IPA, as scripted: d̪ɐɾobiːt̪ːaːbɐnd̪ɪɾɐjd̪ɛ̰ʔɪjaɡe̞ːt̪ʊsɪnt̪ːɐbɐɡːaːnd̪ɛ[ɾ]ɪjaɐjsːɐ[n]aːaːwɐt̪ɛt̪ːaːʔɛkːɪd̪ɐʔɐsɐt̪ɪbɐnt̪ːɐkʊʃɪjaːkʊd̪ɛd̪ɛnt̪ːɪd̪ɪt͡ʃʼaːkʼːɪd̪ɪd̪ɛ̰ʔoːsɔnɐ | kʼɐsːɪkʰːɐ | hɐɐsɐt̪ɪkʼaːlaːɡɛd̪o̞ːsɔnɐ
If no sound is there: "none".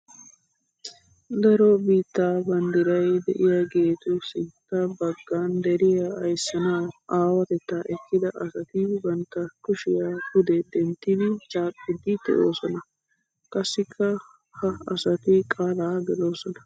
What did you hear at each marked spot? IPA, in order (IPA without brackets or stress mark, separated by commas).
ɾ, n